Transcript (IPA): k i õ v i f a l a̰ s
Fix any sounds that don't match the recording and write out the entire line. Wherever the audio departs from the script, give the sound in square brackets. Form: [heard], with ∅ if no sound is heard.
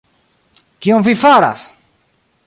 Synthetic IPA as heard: k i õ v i f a [ɾ] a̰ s